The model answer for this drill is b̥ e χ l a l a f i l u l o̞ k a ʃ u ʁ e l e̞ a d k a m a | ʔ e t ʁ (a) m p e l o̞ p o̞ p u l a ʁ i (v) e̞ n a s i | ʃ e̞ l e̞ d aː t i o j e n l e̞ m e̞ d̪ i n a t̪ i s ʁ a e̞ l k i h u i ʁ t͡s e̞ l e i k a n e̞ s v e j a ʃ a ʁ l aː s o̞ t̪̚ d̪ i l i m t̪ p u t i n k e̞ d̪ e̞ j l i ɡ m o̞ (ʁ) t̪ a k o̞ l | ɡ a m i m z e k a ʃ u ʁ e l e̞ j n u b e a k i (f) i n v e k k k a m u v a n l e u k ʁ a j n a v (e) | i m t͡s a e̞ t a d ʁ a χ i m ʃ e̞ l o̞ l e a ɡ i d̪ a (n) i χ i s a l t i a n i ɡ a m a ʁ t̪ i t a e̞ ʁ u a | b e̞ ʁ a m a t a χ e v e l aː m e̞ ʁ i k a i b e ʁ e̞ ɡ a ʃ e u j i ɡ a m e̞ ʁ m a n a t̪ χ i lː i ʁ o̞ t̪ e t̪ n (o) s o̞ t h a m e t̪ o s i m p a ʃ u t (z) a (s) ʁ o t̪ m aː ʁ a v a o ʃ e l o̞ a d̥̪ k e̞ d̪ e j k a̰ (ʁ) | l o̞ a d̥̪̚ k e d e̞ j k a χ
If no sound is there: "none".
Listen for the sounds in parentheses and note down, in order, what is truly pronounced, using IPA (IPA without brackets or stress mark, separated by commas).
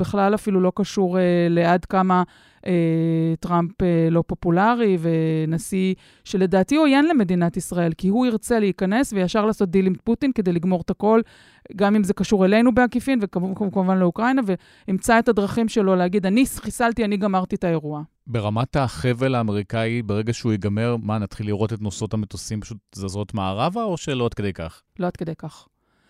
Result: a, v, ʁ, f, e, n, o, z, z, χ